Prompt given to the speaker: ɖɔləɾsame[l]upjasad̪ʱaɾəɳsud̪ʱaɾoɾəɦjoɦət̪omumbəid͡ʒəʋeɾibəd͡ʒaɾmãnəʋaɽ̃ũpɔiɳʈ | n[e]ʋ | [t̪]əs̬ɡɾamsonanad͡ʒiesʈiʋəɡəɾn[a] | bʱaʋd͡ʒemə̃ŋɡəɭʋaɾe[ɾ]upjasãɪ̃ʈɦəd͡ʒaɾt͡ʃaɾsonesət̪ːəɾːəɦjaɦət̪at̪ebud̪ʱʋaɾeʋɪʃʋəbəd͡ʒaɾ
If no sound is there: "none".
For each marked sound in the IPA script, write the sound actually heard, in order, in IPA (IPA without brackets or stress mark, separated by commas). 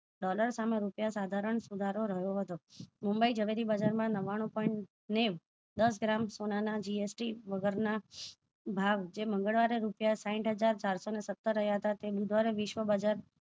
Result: ɾ, e, d̪, a, ɾ